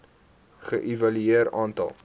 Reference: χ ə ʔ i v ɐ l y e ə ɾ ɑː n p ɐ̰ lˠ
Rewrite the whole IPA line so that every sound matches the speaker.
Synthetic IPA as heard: χ ə ʔ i v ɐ l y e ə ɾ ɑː n t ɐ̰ lˠ

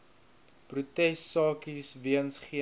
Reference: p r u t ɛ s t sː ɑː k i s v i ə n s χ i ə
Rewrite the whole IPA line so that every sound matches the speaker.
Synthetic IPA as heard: p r u t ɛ s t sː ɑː k i s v i ə n s χ i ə

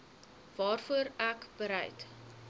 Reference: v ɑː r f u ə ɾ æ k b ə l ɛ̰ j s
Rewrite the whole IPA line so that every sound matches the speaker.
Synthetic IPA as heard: v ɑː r f u ə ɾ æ k b ə ɾ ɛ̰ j t

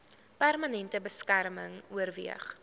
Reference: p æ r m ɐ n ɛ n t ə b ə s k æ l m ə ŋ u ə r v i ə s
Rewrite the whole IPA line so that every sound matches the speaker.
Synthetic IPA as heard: p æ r m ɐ n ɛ n t ə b ə s k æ r m ə ŋ u ə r v i ə χ

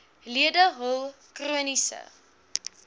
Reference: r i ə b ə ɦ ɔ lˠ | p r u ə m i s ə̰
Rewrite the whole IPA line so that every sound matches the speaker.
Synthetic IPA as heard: l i ə d ə ɦ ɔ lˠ | k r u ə n i s ə̰

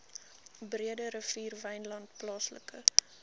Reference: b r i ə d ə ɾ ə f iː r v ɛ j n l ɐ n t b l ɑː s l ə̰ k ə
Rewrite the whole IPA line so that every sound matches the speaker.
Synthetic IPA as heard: b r i ə d ə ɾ ə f iː r v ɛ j n l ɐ n t p l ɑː s l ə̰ k ə

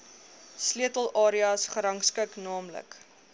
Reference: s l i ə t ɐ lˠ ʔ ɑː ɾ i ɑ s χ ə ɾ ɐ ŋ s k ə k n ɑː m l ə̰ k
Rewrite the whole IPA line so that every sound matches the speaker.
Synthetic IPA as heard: s l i ə t ə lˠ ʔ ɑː ɾ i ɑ s χ ə ɾ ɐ ŋ s k ə k n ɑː m l ə̰ k

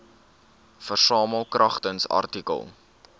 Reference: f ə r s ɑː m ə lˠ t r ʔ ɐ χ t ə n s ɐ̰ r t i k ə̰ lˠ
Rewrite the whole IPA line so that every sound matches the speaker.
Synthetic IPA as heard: f ə r s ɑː m ə lˠ k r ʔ ɐ χ t ə n s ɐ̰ r t i k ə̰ lˠ

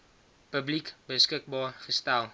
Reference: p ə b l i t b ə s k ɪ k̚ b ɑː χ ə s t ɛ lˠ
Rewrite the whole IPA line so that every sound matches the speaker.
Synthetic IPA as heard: p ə b l i k b ə s k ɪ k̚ b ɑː χ ə s t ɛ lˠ

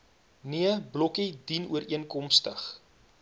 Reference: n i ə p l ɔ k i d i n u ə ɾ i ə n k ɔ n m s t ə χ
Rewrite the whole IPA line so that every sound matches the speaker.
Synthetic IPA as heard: n i ə b l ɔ k i d i n u ə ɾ i ə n k ɔ m s t ə χ

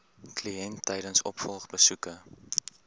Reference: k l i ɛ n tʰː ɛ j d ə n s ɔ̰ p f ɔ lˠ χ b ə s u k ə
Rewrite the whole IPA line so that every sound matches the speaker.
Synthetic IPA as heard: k l i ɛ n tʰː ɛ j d ə n s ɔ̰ p f ɔ lˠ χ b ə s u k ə

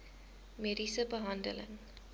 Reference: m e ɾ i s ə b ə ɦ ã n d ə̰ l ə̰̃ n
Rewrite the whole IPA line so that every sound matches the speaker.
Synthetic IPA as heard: m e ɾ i s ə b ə ɦ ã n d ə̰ l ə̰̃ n

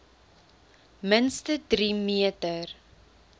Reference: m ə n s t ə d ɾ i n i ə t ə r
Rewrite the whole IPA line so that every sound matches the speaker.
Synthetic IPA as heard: m ə n s t ə d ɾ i m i ə t ə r

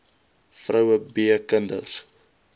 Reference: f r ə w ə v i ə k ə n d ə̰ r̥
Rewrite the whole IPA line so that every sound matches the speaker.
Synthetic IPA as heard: f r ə w ə b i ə k ə n d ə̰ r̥

